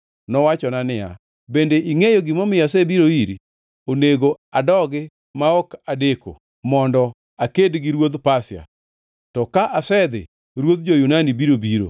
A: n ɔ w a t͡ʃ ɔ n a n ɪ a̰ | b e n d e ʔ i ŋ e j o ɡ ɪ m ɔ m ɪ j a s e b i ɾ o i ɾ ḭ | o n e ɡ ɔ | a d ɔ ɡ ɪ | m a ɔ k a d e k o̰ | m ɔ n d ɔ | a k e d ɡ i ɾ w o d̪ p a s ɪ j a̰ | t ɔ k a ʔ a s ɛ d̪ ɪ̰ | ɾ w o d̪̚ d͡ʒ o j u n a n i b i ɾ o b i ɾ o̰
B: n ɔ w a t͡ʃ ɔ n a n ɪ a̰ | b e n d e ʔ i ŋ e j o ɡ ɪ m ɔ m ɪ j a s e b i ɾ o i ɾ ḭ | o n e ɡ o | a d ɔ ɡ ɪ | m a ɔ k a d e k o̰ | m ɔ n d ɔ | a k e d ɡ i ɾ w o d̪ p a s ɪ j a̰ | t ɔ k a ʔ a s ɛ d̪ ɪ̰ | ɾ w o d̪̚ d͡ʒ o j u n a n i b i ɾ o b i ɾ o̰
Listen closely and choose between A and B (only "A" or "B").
B